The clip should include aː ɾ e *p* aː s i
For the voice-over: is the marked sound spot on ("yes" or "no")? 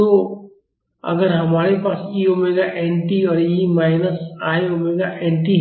yes